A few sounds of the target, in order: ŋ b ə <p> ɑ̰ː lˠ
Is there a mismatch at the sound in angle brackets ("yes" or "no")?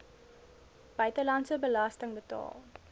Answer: yes